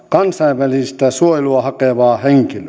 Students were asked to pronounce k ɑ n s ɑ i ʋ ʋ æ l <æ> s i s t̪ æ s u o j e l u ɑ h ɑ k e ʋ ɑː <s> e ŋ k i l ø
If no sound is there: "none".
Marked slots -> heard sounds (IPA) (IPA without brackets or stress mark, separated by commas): i, h